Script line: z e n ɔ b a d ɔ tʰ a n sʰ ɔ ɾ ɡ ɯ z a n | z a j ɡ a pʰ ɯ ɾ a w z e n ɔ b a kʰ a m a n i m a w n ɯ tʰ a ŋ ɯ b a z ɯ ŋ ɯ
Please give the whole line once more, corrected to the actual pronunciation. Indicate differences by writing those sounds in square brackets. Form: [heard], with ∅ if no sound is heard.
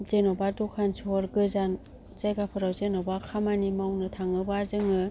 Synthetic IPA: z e n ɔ b a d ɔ [kʰ] a n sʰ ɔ ɾ ɡ ɯ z a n | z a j ɡ a pʰ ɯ ɾ a w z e n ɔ b a kʰ a m a n i m a w n ɯ tʰ a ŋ ɯ b a z ɯ ŋ ɯ

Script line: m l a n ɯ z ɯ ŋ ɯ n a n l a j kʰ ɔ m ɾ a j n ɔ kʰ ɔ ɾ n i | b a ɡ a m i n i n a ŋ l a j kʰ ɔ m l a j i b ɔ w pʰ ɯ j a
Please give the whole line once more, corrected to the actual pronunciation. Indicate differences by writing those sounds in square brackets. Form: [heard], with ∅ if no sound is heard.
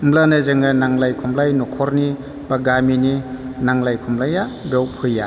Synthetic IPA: m l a n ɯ z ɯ ŋ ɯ n a [ŋ] l a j kʰ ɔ m [l] a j n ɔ kʰ ɔ ɾ n i | b a ɡ a m i n i n a ŋ l a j kʰ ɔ m l a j [a] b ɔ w pʰ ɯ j a

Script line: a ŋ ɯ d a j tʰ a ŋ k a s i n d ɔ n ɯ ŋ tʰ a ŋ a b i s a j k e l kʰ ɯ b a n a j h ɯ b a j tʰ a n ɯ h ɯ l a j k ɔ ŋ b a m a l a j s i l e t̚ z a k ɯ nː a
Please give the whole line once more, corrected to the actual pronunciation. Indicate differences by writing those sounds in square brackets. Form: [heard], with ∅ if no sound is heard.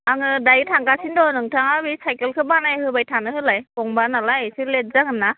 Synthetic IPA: a ŋ ɯ d a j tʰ a ŋ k a s i n d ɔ n ɯ ŋ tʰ a ŋ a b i s a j k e l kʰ ɯ b a n a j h ɯ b a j tʰ a n ɯ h ɯ l a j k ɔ ŋ b a [n] a l a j s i l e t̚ z a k ɯ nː a

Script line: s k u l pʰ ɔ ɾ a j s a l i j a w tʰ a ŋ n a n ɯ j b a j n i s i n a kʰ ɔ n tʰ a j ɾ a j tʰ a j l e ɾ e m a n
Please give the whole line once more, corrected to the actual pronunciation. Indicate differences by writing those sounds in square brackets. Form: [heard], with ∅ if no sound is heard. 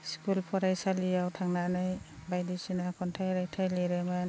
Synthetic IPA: s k u l pʰ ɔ ɾ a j s a l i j a w tʰ a ŋ n a n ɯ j b a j [d] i s i n a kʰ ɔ n tʰ a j ɾ a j tʰ a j l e ɾ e m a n

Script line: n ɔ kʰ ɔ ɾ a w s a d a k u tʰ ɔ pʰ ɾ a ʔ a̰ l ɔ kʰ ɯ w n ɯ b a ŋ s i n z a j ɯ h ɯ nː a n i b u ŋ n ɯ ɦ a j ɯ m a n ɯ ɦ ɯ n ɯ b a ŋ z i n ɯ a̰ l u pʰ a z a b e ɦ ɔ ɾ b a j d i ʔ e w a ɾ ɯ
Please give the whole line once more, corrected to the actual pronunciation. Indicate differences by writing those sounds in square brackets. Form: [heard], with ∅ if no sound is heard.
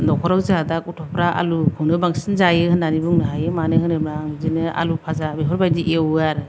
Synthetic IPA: n ɔ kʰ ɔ ɾ a w [z] a d a k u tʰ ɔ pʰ ɾ a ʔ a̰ l [u] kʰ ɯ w n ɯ b a ŋ s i n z a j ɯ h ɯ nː a n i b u ŋ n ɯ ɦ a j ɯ m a n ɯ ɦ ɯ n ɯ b a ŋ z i n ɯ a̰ l u pʰ a z a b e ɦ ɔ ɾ b a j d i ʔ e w a ɾ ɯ

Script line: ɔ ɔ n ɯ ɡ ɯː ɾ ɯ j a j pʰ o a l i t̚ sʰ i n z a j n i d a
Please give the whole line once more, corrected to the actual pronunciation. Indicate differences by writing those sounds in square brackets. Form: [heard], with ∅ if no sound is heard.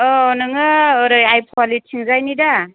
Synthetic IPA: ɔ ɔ n ɯ [ŋ] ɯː ɾ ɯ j a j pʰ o a l i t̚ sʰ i [ŋ] z a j n i d a

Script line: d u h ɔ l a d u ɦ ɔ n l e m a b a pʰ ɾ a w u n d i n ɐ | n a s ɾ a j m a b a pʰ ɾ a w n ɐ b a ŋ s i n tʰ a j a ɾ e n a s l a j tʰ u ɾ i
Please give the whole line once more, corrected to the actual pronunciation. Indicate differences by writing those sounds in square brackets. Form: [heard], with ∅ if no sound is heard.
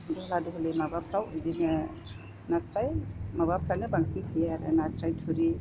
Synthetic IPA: d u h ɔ l a d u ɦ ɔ [∅] l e m a b a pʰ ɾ a w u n d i n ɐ | n a s ɾ a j m a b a pʰ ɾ a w n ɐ b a ŋ s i n tʰ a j a ɾ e n a s [ɾ] a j tʰ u ɾ i

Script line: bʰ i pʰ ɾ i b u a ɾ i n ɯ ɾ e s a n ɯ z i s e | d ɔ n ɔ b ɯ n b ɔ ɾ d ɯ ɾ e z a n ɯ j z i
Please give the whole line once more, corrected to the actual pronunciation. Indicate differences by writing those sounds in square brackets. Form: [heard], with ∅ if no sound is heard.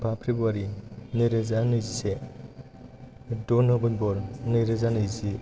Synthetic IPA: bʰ [a] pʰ ɾ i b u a ɾ i n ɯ ɾ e [z] a n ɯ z i s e | d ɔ n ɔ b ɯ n b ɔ ɾ [n] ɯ ɾ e z a n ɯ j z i

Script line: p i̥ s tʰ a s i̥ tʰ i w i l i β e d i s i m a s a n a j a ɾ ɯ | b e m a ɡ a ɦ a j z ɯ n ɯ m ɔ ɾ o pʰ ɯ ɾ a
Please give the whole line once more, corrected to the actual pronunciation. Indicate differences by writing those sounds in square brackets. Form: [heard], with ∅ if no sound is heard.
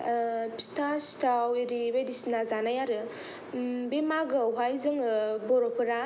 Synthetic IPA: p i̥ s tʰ a s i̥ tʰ [a] w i [ɾ] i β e d i s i [n] a [z] a n a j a ɾ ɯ | b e m a ɡ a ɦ a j z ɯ [ŋ] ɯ [b] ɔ ɾ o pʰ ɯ ɾ a

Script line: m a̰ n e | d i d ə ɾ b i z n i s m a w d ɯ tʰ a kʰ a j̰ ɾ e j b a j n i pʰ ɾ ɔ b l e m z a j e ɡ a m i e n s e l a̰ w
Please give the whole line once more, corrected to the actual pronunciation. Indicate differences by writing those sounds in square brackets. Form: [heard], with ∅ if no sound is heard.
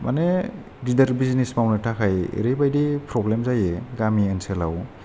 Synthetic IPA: m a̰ n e | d i d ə ɾ b i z n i s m a w [n] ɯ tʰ a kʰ a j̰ ɾ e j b a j [d] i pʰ ɾ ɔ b l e m z a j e ɡ a m i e n s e l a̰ w

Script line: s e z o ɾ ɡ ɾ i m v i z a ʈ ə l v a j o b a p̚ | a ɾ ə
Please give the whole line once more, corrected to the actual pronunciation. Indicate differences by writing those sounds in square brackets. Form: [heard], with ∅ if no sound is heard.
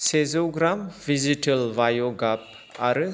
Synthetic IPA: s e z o [∅] ɡ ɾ [a] m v i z [i] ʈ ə l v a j o [ɡ] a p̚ | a ɾ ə

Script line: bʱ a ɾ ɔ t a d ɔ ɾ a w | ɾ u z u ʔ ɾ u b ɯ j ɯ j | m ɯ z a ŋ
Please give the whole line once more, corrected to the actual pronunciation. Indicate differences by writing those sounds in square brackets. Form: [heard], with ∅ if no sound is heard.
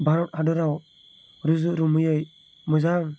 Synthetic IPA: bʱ a ɾ ɔ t a d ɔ ɾ a w | ɾ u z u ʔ ɾ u [m] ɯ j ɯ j | m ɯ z a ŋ

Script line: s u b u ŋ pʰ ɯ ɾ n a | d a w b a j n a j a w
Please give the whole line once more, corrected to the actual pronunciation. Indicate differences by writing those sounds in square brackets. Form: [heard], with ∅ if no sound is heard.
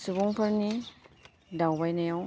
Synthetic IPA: s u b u ŋ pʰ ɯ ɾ n [i] | d a w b a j n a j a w

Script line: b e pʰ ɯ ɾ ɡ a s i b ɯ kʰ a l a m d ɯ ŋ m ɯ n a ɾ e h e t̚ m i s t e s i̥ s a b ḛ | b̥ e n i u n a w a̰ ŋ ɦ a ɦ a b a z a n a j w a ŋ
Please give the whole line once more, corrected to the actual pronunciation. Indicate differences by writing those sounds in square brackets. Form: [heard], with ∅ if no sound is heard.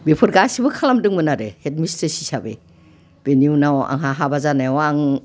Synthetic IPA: b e pʰ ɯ ɾ ɡ a s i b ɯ kʰ a l a m d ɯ ŋ m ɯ n a ɾ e h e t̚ m i s t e s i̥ s a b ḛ | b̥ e n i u n a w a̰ ŋ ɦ a ɦ a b a z a n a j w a ŋ

